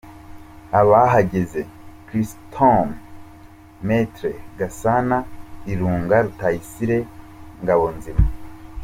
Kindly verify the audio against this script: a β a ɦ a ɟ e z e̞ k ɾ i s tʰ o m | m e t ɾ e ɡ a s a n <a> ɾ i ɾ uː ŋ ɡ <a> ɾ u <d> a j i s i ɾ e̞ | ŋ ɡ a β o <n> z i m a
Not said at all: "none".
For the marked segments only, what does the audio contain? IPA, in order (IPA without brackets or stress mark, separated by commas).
a, a, t, n